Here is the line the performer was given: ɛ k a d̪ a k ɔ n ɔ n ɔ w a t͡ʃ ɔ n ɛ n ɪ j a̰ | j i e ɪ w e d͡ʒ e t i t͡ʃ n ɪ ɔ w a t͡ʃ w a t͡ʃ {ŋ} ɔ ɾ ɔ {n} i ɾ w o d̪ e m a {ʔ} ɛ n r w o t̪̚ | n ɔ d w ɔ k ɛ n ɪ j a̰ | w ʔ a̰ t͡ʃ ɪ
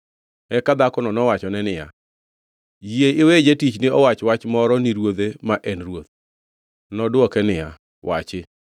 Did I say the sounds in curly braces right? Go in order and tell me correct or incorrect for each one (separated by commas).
incorrect, correct, correct